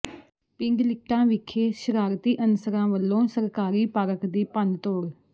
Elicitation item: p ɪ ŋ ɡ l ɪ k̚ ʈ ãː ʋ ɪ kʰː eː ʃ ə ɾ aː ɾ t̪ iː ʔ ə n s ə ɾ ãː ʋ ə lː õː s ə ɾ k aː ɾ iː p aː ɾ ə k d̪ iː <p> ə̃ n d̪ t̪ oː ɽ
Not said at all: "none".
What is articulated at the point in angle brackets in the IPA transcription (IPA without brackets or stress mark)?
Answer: p